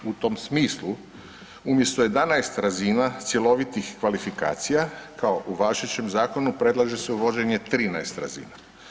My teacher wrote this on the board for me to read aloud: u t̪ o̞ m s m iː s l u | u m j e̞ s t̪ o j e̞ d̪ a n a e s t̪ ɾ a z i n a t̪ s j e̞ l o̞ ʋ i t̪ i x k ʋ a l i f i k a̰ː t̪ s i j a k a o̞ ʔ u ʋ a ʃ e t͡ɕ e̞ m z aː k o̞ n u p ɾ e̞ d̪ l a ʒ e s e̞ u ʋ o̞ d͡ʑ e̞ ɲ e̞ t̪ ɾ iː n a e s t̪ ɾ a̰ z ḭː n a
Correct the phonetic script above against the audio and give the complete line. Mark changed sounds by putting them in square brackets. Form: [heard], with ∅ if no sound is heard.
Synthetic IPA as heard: u t̪ o̞ m s m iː s l u | u m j e̞ s t̪ o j e̞ d̪ a n a e s t̪ ɾ a z i n a t̪ s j e̞ l o̞ ʋ i t̪ i x k ʋ a l i f i k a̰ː t̪ s i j a k a o̞ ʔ u ʋ a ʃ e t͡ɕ e̞ m z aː k o̞ n u p ɾ e̞ d̪ l a ʒ e s e̞ u ʋ o̞ d͡ʑ e̞ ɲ e̞ t̪ ɾ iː n a e s t̪ ɾ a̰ z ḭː n a